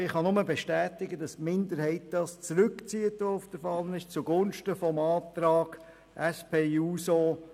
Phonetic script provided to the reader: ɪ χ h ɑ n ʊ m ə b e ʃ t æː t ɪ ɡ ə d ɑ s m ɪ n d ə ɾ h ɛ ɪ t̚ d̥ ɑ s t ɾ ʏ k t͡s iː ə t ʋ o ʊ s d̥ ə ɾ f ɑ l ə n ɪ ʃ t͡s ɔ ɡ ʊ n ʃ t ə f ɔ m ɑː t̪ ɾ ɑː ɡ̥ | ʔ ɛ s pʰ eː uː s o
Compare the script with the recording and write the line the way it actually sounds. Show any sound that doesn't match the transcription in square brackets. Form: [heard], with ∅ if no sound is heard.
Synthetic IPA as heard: ɪ χ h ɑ n ʊ m ə b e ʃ t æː t ɪ ɡ ə d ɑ s m ɪ n d ə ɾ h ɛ ɪ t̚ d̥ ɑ s [t͡s] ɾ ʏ k t͡s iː ə t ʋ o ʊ [f] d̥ ə ɾ f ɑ l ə n ɪ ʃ t͡s [u] ɡ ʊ n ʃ t ə f ɔ m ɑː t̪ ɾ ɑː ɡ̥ | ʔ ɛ s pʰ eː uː s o

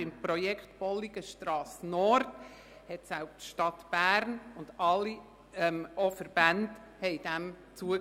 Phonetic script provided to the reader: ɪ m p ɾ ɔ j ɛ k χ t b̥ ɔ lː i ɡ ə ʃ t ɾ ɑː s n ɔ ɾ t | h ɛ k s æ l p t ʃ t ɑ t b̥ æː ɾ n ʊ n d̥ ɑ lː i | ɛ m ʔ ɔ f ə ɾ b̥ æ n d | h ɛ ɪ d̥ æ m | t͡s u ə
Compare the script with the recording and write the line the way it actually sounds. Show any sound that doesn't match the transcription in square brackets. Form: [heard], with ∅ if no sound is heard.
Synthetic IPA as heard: ɪ m p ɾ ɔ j ɛ k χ t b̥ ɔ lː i ɡ ə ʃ t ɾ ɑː s n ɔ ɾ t | h ɛ [t] s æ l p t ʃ t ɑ t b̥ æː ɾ n ʊ n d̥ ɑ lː i | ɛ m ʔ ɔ f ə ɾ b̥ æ n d | h ɛ ɪ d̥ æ m | t͡s u ə

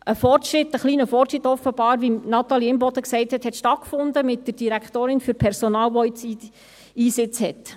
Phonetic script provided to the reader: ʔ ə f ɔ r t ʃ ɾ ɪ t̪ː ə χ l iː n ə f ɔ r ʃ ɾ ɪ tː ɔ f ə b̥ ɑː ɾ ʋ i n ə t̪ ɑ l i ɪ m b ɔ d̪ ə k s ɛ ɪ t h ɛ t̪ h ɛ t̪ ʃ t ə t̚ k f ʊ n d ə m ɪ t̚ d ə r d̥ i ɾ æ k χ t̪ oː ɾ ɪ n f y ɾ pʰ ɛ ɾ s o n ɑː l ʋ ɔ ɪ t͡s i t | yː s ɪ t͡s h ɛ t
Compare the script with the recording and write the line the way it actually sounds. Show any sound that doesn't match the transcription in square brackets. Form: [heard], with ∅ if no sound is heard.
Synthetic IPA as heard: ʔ ə f ɔ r t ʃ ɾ ɪ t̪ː ə χ l iː n ə f ɔ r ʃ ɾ ɪ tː ɔ f ə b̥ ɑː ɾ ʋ i n [ɑ] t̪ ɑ l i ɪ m b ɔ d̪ ə k s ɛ ɪ t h ɛ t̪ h ɛ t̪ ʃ t [ɑ] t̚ k f ʊ n d ə m ɪ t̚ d ə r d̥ i ɾ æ k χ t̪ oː ɾ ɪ n f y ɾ pʰ ɛ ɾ s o n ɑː l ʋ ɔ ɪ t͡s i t | [iː] s ɪ t͡s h ɛ t

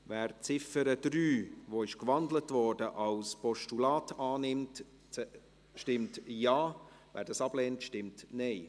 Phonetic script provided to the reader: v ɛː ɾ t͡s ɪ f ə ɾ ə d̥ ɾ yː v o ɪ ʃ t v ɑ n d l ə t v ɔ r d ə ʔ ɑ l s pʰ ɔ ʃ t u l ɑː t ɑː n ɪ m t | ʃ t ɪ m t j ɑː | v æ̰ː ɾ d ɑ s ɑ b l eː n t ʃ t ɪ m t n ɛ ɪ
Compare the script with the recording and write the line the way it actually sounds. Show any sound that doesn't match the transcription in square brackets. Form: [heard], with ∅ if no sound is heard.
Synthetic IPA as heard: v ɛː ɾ t͡s ɪ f ə ɾ ə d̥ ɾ yː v o ɪ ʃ [k] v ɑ n d l ə t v ɔ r d ə ʔ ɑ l s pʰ ɔ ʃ t u l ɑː t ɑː n ɪ m t | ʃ t ɪ m t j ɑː | v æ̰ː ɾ d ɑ s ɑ b l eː n t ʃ t ɪ m t n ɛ ɪ

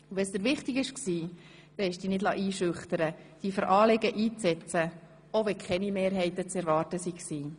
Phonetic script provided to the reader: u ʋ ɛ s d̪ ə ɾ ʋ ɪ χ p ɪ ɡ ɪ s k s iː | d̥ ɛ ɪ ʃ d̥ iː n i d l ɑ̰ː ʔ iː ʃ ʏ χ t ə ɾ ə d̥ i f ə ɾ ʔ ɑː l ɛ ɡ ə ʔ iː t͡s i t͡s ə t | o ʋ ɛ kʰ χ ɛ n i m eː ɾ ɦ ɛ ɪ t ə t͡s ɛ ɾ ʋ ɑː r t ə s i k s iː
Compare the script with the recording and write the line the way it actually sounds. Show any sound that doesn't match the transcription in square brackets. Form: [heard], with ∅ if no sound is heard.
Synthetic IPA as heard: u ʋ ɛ s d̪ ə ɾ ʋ ɪ χ [t] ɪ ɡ ɪ [ʃ] k s iː | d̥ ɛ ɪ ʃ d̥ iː n [ɪ] d l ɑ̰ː ʔ iː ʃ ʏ χ t ə ɾ ə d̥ i f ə ɾ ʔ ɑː l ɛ ɡ ə ʔ iː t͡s [ɛ] t͡s ə [∅] | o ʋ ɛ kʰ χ ɛ n i m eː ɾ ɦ ɛ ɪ t ə t͡s ɛ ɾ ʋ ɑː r t ə s i k s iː

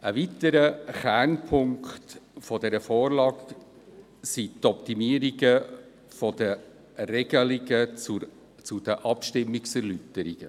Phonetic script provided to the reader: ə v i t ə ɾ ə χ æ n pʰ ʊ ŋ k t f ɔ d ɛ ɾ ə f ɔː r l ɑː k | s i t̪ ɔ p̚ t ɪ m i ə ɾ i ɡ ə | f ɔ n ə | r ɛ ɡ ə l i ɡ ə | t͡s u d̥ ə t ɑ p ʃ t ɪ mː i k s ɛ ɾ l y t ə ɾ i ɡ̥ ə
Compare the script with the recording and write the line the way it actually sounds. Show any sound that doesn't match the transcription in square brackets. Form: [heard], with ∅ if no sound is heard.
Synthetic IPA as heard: ə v i t ə ɾ ə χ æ n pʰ ʊ ŋ k t f ɔ d ɛ ɾ ə f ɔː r l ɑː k | s i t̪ ɔ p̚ t [i] m i ə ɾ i ɡ ə | f ɔ [d] ə | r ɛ ɡ ə l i ɡ ə | t͡s u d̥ ə [ʔ] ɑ p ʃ t ɪ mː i k s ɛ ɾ l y t ə ɾ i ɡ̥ ə

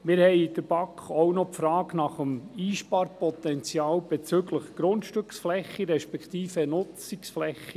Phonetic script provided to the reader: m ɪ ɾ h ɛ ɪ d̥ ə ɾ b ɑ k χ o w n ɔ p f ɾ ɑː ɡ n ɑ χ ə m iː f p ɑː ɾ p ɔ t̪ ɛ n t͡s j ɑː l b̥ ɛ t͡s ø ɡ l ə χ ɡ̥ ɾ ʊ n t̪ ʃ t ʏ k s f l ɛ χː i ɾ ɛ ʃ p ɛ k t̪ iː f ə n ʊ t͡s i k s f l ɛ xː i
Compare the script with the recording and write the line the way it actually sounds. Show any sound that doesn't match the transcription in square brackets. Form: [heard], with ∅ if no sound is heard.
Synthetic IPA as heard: m ɪ ɾ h ɛ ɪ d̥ ə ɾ b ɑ k χ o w n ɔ p f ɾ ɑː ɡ n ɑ χ ə m iː [ʃ] p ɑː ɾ p ɔ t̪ ɛ n t͡s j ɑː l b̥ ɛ t͡s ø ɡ l ə χ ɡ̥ ɾ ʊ n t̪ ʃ t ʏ k s f l ɛ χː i ɾ ɛ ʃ p ɛ k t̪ iː f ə n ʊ t͡s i k s f l ɛ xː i

